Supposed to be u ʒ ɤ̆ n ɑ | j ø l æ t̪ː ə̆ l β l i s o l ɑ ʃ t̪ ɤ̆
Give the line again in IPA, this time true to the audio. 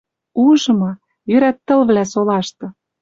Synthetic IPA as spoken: u ʒ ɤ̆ m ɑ | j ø ɾ æ t̪ː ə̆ l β l æ s o l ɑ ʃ t̪ ɤ̆

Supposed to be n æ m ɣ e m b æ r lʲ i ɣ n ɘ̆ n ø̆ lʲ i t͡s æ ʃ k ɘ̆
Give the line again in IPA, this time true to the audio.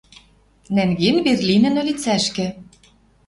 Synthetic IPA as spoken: n æ ŋ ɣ e n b e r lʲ i n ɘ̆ n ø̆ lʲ i t͡s æ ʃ k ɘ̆

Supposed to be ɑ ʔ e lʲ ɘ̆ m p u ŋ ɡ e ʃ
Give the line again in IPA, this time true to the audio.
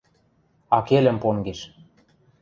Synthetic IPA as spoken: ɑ k e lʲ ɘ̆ m p o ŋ ɡ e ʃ

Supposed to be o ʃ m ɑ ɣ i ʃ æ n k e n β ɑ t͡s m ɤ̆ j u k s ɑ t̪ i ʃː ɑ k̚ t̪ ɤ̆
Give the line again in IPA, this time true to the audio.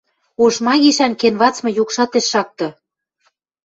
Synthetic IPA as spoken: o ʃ m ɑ ɣ i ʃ æ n k e n β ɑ t͡s m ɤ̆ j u k ʃ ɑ t̪ e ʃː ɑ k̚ t̪ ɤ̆

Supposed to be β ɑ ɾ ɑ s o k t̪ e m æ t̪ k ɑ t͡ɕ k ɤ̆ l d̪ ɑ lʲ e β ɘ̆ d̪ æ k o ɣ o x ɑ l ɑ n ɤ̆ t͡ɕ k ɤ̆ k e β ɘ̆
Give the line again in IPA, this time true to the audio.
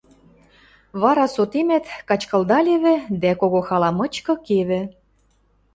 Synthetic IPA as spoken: β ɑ ɾ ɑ s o t̪ e m æ t̪ k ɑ t͡ɕ k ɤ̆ l d̪ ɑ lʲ e β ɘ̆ d̪ æ k o ɣ o x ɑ l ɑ m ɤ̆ t͡ɕ k ɤ̆ k e β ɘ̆

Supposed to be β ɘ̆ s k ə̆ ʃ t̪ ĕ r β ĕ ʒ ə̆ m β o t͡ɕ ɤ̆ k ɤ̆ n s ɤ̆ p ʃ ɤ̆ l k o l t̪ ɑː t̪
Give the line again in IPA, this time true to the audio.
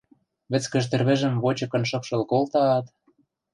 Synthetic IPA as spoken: β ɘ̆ t͡s k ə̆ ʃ t̪ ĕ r β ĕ ʒ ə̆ m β o t͡ɕ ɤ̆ k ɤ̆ n ʃ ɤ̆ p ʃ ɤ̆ l k o l t̪ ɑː t̪

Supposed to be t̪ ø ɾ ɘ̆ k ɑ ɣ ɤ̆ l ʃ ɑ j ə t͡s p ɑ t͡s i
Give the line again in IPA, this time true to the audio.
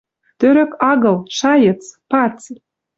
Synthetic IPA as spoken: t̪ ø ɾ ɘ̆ k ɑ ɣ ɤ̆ l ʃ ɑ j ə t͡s p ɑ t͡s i

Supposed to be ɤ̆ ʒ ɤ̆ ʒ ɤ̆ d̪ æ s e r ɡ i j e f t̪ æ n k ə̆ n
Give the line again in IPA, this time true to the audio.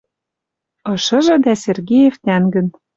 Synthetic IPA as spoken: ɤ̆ ʃ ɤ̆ ʒ ɤ̆ d̪ æ s e r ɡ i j e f t̪ æ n ɡ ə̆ n

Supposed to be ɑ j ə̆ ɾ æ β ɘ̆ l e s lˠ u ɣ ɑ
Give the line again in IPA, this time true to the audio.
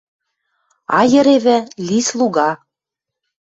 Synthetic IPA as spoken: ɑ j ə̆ ɾ e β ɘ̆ l i s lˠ u ɣ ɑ

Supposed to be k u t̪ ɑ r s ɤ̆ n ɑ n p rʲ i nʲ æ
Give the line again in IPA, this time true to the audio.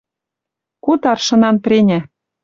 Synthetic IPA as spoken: k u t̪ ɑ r ʃ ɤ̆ n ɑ n p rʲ e nʲ æ

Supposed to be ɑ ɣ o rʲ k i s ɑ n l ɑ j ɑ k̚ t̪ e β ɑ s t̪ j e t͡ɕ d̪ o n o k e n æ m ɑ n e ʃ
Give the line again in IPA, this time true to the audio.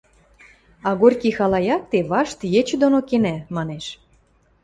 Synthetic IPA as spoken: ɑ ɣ o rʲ k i x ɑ l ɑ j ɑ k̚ t̪ e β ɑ ʃ t̪ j e t͡ɕ d̪ o n o k e n æ m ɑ n e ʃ

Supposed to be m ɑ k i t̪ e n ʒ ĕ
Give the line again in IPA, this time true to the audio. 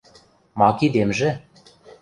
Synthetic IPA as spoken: m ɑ k i d̪ e m ʒ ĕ

